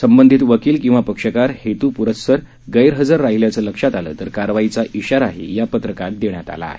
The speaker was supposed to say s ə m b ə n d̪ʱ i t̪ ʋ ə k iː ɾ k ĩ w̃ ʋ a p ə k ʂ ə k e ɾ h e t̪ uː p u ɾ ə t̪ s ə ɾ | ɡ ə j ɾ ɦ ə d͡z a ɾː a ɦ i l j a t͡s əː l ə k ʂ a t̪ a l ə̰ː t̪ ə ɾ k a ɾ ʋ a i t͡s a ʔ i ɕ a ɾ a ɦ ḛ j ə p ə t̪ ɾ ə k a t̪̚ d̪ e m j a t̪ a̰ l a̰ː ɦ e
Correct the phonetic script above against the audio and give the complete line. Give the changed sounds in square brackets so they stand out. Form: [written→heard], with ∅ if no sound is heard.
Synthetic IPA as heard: s ə m b ə n d̪ʱ i t̪ ʋ ə k iː [ɾ→l] k ĩ w̃ ʋ a p ə k ʂ ə k [e→a] ɾ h e t̪ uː p u ɾ ə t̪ s ə ɾ | ɡ ə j ɾ ɦ ə d͡z a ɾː a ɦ i l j a t͡s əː l ə k ʂ a t̪ a l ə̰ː t̪ ə ɾ k a ɾ ʋ a i t͡s a ʔ i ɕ a ɾ a ɦ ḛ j [ə→a] p ə t̪ ɾ ə k a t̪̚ d̪ e [m→ɳ] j a t̪ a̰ l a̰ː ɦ e